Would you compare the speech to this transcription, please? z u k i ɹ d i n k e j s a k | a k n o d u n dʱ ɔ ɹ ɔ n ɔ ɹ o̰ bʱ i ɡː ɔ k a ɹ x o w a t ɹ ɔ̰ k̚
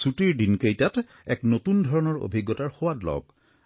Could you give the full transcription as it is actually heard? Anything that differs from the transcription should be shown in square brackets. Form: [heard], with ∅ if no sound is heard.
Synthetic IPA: [s] u [t] i ɹ d i n k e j [t] a [t] | [ɛ] k n o [t] u n dʱ ɔ ɹ ɔ n ɔ ɹ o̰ bʱ i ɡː ɔ [t] a ɹ x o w a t [l] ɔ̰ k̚